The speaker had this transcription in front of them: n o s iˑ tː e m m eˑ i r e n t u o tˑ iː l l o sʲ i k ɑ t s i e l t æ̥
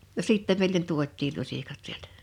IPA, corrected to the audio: n o s iˑ tː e m m eˑ i l e n t u o tˑ iː l l u sʲ i k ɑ t s i e l t æ̥